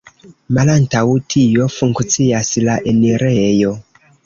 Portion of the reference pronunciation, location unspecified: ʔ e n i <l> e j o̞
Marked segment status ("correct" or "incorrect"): incorrect